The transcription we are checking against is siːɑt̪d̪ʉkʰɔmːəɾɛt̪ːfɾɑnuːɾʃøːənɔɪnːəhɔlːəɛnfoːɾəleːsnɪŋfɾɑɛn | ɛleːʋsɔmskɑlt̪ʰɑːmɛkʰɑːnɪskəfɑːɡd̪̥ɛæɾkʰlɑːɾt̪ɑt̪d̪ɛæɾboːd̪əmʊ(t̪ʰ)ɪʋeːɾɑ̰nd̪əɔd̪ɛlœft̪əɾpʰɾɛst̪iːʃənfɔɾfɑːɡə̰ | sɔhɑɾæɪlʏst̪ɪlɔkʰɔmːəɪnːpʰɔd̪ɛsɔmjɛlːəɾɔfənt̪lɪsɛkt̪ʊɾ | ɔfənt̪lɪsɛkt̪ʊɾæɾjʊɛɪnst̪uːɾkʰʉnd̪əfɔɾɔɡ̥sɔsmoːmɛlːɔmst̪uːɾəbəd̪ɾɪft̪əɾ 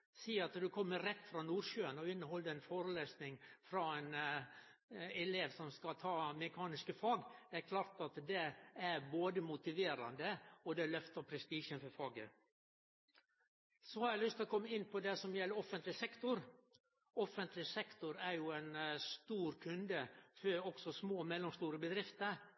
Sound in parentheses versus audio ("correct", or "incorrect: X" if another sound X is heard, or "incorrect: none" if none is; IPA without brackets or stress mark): incorrect: t̪